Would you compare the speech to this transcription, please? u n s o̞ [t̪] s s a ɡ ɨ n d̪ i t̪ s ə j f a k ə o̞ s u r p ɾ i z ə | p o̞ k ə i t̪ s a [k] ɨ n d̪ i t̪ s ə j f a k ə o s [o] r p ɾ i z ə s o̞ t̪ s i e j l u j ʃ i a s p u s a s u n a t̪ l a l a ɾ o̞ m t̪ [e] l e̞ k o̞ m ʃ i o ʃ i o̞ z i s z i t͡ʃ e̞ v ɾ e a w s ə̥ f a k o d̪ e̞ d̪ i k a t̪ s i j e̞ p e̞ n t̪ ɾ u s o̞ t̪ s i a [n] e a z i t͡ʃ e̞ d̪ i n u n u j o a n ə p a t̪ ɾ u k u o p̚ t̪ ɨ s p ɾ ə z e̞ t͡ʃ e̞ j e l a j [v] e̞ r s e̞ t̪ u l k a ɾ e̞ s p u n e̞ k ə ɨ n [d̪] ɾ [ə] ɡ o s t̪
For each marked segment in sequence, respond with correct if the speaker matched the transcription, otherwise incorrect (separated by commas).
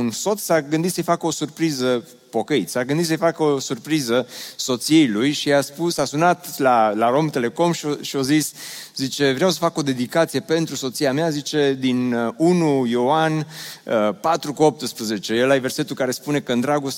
correct, incorrect, incorrect, correct, incorrect, correct, correct, incorrect